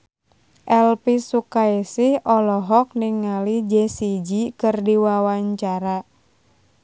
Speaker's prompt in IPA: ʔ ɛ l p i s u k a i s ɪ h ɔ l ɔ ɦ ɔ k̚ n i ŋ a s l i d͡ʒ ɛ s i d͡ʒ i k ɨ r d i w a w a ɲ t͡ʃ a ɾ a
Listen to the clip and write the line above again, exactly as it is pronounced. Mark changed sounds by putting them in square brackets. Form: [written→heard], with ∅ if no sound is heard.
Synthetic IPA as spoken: ʔ ɛ l p i s u k a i s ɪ h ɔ l ɔ ɦ ɔ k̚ n i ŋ a [s→∅] l i d͡ʒ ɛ s i d͡ʒ i k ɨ r d i w a w a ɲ t͡ʃ a ɾ a